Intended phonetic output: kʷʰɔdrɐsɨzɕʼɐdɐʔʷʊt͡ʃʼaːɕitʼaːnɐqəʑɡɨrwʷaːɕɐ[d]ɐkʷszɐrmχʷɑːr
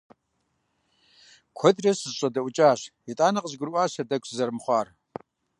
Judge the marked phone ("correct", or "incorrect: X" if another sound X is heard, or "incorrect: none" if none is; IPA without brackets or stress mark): correct